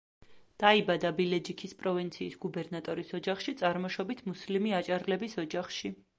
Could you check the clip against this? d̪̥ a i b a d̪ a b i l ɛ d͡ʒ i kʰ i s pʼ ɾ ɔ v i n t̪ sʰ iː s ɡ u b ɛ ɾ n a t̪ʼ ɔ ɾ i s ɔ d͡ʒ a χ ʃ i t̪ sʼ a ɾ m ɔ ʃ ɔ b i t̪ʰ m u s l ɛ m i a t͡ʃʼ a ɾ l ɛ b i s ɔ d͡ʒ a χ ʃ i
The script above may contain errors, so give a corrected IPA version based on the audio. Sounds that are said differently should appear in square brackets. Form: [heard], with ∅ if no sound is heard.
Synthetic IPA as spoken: d̪̥ a i b a d̪ a b i l ɛ d͡ʒ i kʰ i s pʼ ɾ ɔ v i n t̪ sʰ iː s ɡ u b ɛ ɾ n a t̪ʼ ɔ ɾ i s ɔ d͡ʒ a χ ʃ i t̪ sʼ a ɾ m ɔ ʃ ɔ b i t̪ʰ m u s l [i] m i a t͡ʃʼ a ɾ l ɛ b i s ɔ d͡ʒ a χ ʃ i